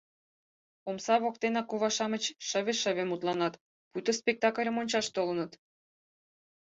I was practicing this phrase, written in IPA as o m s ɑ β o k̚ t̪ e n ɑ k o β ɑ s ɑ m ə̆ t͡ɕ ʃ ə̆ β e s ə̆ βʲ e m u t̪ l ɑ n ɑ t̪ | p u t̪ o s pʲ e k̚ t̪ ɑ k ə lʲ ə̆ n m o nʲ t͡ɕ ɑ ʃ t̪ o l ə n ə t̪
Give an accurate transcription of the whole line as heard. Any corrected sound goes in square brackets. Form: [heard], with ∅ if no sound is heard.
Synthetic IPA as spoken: o m s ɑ β o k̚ t̪ e n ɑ k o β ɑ [ʃ] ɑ m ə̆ t͡ɕ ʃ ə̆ β e [ʃ] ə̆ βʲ e m u t̪ l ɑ n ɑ t̪ | p u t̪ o s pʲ e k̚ t̪ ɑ k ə lʲ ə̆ [∅] m o nʲ t͡ɕ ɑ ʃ t̪ o l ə n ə t̪